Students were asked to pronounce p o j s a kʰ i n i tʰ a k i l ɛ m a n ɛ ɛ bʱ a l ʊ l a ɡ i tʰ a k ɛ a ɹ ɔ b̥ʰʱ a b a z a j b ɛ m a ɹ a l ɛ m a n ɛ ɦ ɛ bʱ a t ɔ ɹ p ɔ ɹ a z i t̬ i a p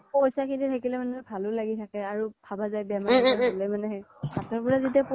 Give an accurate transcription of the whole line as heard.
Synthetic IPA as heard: p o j s a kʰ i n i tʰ a k i l ɛ m a n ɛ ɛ bʱ a l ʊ l a ɡ i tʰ a k ɛ a ɹ u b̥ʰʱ a b a z a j b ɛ m a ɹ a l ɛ m a n ɛ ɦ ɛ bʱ a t ɔ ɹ p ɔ ɹ a z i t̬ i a p